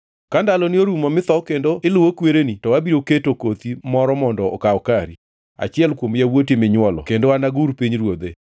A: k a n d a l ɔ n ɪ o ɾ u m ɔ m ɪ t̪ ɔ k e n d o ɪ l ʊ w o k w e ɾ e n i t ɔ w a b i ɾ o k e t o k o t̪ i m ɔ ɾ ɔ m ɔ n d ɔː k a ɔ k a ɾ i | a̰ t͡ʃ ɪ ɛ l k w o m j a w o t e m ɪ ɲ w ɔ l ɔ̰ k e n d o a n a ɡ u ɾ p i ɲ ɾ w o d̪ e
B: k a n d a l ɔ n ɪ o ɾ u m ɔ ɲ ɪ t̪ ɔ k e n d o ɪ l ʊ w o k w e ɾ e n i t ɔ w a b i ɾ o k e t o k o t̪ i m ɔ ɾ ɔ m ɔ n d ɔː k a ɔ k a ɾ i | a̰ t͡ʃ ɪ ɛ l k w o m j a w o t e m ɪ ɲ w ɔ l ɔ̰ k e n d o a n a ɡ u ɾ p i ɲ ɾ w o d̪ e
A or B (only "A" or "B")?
A